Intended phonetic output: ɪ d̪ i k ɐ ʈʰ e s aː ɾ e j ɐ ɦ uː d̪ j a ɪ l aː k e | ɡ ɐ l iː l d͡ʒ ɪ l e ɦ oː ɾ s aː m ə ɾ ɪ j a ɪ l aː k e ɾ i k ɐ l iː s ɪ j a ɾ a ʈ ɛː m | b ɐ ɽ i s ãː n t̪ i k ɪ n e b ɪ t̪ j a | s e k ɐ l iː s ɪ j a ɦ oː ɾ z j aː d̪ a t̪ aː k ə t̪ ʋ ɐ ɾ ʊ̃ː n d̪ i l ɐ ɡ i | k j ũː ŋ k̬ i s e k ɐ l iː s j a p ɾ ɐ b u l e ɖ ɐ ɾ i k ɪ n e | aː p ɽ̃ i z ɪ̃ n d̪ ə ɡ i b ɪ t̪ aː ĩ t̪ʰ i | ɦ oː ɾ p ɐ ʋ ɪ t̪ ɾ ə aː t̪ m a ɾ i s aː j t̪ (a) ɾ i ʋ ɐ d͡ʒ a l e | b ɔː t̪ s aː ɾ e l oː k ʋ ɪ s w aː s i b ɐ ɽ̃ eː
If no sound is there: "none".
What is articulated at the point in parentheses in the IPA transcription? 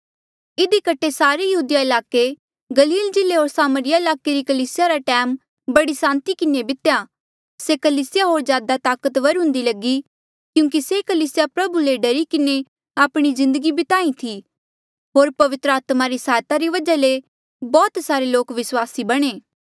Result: a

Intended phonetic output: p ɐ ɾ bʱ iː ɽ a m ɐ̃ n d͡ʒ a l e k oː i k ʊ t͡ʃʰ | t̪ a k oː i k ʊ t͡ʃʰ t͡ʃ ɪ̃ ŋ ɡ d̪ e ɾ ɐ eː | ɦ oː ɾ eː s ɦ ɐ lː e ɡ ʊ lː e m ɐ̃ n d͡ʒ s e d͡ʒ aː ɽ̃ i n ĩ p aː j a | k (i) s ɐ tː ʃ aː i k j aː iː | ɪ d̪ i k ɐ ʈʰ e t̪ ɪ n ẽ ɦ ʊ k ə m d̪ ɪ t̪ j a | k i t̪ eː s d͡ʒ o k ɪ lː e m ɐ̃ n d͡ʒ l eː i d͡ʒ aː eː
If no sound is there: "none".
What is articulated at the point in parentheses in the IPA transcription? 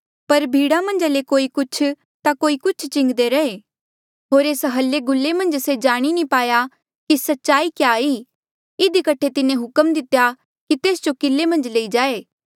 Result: i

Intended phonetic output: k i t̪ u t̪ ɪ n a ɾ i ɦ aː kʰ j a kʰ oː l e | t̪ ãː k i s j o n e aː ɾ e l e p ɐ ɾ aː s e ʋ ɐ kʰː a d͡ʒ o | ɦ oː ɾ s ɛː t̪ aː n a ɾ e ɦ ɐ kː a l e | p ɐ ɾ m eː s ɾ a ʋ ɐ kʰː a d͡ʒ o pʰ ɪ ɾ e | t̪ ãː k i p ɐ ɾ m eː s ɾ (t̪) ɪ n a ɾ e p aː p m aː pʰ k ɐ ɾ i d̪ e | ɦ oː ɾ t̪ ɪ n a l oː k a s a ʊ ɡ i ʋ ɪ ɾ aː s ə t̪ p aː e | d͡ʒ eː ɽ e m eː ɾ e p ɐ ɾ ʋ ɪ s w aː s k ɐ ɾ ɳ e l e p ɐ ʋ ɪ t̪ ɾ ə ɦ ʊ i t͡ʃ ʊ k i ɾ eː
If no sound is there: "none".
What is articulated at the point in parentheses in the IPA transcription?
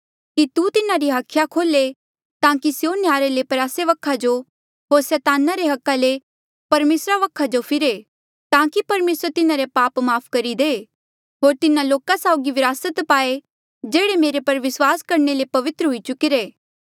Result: t̪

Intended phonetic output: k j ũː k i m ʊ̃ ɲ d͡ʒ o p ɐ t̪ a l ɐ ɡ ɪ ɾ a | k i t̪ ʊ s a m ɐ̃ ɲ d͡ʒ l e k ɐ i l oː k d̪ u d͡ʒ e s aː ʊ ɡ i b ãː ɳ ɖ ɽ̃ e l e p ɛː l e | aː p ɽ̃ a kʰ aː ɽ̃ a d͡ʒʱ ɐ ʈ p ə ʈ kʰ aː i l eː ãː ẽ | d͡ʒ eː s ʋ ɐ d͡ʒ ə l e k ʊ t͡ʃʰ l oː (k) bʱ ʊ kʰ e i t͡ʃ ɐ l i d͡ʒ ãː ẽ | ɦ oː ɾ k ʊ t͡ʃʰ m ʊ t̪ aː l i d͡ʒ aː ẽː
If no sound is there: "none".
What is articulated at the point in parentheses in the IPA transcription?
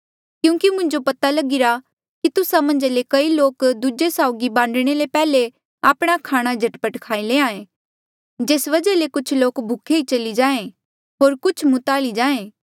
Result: k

